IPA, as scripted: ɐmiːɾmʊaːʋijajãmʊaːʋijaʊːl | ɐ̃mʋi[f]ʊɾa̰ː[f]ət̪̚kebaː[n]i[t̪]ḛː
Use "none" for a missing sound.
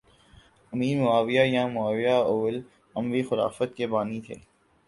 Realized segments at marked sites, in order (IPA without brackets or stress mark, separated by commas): x, f, n, t̪ʰ